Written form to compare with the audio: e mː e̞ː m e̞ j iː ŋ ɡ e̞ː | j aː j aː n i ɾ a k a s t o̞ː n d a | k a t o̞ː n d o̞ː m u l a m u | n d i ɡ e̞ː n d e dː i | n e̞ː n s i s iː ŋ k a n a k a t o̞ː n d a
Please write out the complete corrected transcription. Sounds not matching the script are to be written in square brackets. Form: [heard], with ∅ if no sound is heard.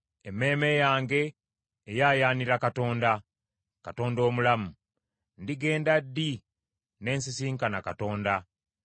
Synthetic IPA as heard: e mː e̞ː m e̞ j [aː] ŋ ɡ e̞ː | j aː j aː n i ɾ a k a [∅] t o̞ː n d a | k a t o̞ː n d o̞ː m u l a m u | n d i ɡ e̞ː n d [a] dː i | n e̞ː n s i s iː ŋ k a n a k a t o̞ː n d a

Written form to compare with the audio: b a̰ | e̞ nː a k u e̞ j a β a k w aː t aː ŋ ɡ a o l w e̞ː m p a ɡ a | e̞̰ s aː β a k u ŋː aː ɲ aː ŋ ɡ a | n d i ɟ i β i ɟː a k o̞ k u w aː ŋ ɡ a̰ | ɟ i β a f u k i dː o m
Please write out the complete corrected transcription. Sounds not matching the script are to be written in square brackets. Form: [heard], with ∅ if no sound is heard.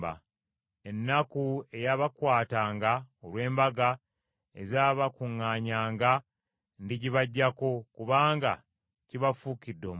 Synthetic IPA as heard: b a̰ | e̞ nː a k u e̞ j a β a k w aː t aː ŋ ɡ a o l w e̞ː m [b] a ɡ a | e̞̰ [z] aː β a k u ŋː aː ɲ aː ŋ ɡ a | n d i ɟ i β [a] ɟː a k o̞ k u [β] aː ŋ ɡ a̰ | [c] i β a f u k i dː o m

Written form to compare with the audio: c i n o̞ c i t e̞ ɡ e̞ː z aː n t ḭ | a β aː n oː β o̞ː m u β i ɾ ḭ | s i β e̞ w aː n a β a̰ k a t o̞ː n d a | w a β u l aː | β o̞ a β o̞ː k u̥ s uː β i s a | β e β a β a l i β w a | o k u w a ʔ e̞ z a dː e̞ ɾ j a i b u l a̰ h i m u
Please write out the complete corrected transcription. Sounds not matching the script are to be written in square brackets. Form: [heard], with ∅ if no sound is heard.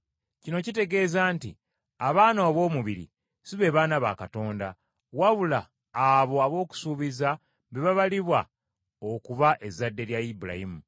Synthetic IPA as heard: c i n o̞ c i t e̞ ɡ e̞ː z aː n t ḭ | a β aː n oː β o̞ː m u β i ɾ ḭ | s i β e̞ [β] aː n a β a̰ k a t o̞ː n d a | w a β u l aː | β o̞ a β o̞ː k u̥ s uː β i [z] a | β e β a β a l i β w a | o k u [β] a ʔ e̞ z a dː e̞ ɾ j a i b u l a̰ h i m u

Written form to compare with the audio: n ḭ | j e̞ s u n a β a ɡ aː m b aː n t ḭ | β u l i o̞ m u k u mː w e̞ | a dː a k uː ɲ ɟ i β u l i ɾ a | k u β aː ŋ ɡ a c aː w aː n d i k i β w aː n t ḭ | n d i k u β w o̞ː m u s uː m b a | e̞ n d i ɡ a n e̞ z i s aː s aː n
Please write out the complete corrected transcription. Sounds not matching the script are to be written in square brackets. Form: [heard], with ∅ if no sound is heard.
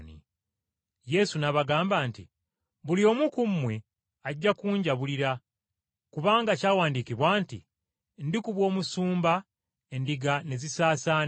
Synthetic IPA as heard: n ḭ | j e̞ s u n a β a ɡ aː m b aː n t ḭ | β u l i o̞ m u k u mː w e̞ | a [ɟː] a k uː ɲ ɟ [a] β u l i ɾ a | k u β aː ŋ ɡ a c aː w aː n d i k i β w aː n t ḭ | n d i k u β w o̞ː m u s uː m b a | e̞ n d i ɡ a n e̞ z i s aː s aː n

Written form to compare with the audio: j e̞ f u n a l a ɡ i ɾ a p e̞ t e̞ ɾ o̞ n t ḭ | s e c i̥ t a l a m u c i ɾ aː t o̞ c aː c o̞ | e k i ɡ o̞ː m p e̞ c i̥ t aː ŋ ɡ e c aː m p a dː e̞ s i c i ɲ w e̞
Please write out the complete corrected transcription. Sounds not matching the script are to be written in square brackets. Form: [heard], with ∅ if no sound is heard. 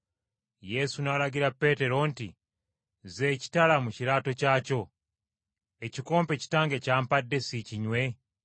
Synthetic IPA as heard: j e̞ [s] u n a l a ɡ i ɾ a p e̞ t e̞ ɾ o̞ n t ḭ | [z] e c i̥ t a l a m u c i ɾ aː t o̞ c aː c o̞ | e [c] i [k] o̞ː m p e̞ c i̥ t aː ŋ ɡ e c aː m p a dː e̞ s i c i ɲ w e̞

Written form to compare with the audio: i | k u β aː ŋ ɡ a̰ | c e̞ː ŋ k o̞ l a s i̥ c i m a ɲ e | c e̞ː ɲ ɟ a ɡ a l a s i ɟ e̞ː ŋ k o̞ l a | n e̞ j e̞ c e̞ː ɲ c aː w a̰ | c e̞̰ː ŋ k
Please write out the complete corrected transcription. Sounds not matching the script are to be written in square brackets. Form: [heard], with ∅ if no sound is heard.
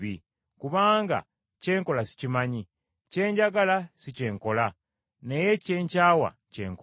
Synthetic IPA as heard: i | k u β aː ŋ ɡ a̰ | c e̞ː ŋ k o̞ l a s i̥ c i m a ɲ [i] | c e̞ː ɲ ɟ a ɡ a l a s i [c] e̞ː ŋ k o̞ l a | n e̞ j e̞ c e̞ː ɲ c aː w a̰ | c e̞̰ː ŋ k

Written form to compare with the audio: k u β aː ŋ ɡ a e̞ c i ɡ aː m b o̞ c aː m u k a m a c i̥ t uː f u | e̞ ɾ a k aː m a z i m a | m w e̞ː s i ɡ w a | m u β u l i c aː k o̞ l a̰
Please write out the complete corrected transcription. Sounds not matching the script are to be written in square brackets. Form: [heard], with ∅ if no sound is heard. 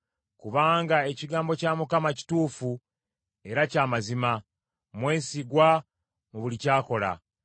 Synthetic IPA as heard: k u β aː ŋ ɡ a e̞ c i ɡ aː m b o̞ c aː m u k a m a c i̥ t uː f u | e̞ ɾ a [c] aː m a z i m a | m w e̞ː s i ɡ w a | m u β u l i c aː k o̞ l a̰

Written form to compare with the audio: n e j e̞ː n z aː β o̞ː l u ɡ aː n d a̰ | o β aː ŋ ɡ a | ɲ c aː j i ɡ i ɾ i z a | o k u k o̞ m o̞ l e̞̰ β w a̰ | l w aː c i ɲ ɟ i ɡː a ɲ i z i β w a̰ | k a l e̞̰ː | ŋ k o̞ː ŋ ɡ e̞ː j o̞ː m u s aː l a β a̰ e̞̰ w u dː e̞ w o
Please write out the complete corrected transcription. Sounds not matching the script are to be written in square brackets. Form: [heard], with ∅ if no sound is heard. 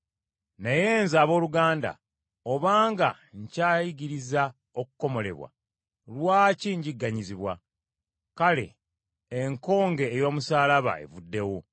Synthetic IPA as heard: n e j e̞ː n z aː β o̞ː l u ɡ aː n d a̰ | o β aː ŋ ɡ a | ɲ c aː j i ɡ i ɾ i z a | o k u k o̞ m o̞ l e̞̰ β w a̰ | l w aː c i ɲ ɟ i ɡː a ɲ i z i β w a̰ | k a l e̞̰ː | ŋ k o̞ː ŋ ɡ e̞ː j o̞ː m u s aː l a β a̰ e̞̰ [v] u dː e̞ w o

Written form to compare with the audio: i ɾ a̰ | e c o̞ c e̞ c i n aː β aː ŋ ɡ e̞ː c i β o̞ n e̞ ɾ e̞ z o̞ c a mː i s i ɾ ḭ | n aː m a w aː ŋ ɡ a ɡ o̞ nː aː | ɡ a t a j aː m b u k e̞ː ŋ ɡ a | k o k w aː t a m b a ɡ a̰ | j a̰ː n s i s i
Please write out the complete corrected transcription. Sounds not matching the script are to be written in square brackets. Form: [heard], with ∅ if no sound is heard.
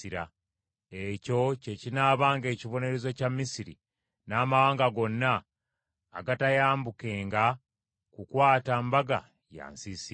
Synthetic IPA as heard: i ɾ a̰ | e c o̞ c e̞ c i n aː β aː ŋ ɡ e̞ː c i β o̞ n e̞ ɾ e̞ z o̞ c a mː i s i ɾ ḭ | n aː m a w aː ŋ ɡ a ɡ o̞ nː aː | ɡ a t a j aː m b u k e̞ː ŋ ɡ a | k [u] k w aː t a m b a ɡ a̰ | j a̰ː n s i s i

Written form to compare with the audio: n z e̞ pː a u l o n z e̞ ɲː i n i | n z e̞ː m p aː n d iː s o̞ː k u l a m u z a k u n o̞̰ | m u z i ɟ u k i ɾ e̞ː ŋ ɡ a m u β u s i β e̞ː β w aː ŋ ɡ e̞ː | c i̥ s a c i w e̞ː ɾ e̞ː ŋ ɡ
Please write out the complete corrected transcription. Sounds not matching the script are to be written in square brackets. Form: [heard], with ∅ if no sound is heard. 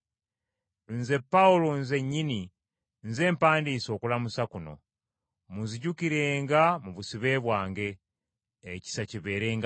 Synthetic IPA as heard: n z e̞ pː a u l o n z e̞ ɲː i n i | n z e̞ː m p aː n d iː s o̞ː k u l a m u [s] a k u n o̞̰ | m u z i ɟ u k i ɾ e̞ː ŋ ɡ a m u β u s i β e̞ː β w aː ŋ ɡ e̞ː | c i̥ s a c i [β] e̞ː ɾ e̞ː ŋ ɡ

